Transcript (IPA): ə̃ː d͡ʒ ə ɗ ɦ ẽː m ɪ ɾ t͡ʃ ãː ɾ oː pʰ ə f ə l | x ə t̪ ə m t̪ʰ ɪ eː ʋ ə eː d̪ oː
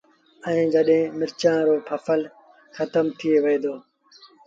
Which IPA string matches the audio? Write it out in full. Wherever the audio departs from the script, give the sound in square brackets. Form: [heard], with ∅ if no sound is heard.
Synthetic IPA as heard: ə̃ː d͡ʒ ə ɗ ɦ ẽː m ɪ ɾ t͡ʃ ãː ɾ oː pʰ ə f ə l | x ə t̪ ə m t̪ʰ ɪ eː ʋ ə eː d̪ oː